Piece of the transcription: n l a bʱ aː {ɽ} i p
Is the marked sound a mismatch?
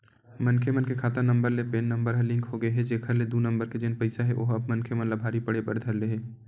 yes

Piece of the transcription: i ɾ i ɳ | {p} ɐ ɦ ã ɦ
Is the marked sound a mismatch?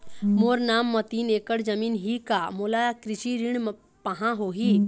no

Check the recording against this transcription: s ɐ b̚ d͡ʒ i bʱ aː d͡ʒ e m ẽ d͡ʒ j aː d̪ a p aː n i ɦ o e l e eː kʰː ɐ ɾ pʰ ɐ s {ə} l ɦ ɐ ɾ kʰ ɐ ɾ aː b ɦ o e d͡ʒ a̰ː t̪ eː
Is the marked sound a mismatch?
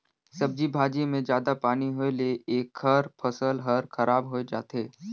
no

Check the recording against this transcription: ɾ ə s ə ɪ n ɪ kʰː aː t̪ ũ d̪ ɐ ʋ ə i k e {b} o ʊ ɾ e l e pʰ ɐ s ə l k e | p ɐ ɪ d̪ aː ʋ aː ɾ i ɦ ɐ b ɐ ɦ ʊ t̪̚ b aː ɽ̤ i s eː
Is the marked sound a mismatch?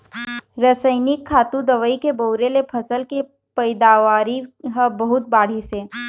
no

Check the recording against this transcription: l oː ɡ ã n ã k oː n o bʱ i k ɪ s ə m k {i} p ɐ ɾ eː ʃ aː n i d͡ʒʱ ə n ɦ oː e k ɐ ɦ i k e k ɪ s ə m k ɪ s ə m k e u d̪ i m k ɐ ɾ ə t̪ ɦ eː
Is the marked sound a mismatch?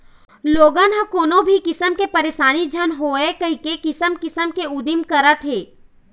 yes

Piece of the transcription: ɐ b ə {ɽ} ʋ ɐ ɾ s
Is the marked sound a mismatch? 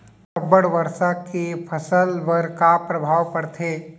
no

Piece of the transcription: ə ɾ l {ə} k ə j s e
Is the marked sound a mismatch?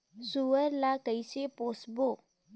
yes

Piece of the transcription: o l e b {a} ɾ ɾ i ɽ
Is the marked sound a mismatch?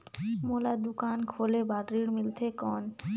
no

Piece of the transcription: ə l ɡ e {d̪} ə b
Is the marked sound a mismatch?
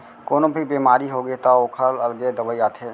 no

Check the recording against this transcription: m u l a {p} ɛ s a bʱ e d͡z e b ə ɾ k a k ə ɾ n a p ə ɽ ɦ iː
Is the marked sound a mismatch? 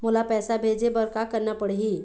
no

